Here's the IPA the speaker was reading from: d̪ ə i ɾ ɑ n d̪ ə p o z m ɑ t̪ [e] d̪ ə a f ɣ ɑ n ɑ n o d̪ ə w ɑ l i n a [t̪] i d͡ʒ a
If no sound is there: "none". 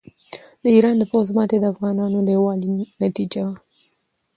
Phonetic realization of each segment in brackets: e, t̪

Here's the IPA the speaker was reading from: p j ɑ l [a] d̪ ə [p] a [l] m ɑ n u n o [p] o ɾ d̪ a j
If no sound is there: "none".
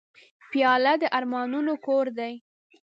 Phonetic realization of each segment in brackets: a, ʔ, ɾ, k

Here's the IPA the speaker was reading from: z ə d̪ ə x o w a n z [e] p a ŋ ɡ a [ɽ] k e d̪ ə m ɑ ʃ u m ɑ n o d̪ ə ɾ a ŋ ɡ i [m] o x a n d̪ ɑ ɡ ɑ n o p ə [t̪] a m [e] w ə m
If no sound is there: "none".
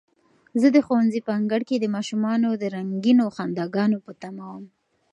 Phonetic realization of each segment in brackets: i, ɽ, n, t̪, a

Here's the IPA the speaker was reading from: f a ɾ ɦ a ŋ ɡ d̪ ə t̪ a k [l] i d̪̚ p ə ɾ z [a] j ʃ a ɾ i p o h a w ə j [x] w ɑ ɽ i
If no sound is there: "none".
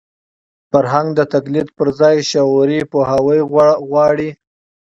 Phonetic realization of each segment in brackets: l, ɑ, ɣ

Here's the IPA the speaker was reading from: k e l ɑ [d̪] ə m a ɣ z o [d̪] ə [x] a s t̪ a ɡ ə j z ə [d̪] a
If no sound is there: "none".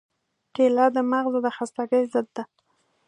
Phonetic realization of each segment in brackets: d̪, d̪, x, d̪ː

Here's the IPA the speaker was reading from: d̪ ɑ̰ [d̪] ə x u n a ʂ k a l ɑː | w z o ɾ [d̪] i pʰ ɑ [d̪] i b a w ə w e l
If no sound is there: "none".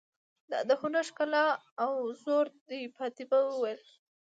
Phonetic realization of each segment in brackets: d̪, d̪, t̪

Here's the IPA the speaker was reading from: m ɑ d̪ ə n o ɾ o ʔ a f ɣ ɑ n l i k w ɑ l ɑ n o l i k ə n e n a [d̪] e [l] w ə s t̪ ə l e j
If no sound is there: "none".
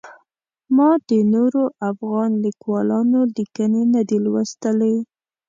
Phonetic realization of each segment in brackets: d̪, l

